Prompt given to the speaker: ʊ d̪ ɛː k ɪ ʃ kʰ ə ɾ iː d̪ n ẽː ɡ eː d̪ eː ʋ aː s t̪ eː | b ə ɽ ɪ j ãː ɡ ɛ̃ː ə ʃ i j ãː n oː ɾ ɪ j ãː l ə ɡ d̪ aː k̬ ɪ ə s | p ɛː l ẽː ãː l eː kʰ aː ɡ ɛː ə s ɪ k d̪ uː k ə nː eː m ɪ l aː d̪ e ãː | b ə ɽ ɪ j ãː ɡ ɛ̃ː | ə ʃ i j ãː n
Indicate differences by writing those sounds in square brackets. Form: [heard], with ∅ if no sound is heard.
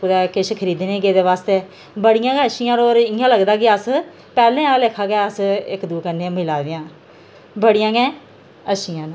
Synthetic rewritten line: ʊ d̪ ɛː k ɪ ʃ kʰ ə ɾ iː d̪ n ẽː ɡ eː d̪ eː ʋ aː s t̪ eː | b ə ɽ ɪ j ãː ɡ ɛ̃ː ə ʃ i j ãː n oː ɾ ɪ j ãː l ə ɡ d̪ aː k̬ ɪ ə s | p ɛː l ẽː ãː l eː kʰ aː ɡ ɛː ə s ɪ k d̪ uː k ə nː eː m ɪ l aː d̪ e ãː | b ə ɽ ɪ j ãː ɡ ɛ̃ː | ə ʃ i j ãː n